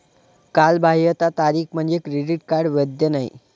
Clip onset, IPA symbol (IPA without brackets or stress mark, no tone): k